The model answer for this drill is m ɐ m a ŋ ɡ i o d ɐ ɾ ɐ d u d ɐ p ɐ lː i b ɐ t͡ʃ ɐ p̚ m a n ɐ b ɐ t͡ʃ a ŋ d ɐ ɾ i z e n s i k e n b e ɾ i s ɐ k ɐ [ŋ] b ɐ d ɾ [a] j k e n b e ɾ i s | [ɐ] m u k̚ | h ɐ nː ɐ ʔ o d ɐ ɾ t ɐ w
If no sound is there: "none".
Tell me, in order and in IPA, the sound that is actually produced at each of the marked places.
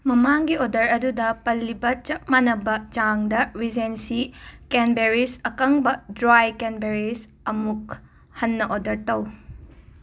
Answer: ŋ, a, ɐ

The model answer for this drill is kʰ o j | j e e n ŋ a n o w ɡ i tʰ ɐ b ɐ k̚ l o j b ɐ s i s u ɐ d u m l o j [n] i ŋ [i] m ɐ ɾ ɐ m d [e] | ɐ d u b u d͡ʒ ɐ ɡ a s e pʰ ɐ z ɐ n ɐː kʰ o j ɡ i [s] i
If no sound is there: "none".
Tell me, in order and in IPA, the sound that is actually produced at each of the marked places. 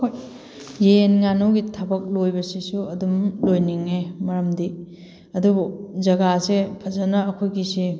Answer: n, e, i, s

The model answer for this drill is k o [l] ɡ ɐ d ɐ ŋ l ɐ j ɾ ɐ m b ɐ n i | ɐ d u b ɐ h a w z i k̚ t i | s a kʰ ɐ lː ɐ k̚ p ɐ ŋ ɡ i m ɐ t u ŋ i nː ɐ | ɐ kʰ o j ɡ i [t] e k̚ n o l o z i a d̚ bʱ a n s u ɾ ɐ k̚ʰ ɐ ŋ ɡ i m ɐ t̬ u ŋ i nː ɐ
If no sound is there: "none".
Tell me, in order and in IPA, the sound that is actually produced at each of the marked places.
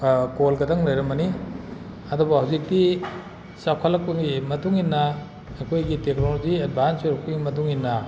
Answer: l, t

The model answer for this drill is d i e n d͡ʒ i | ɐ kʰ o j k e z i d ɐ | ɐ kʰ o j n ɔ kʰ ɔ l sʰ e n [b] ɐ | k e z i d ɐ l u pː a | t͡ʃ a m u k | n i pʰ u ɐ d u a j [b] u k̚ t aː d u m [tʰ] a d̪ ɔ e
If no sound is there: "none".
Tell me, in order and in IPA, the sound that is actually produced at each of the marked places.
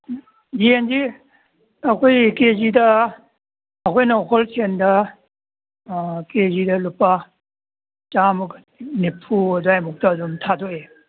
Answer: d, m, tʰ

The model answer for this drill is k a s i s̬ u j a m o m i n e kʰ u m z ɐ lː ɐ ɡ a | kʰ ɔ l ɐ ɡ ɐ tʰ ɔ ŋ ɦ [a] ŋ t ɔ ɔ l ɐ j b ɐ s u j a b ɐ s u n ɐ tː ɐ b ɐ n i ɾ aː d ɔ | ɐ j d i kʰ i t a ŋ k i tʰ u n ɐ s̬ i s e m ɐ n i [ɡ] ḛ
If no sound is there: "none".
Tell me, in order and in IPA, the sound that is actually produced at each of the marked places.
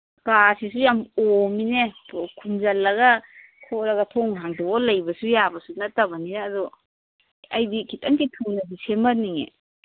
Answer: a, ŋ

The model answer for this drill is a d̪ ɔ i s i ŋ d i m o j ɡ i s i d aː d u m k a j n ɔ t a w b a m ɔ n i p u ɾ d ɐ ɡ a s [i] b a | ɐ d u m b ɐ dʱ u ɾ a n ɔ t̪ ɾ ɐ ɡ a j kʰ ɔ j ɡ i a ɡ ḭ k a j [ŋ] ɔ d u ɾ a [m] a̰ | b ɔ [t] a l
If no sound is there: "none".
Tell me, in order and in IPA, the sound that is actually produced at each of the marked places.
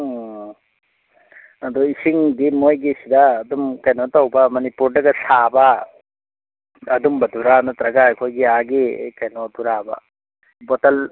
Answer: a, n, b, t

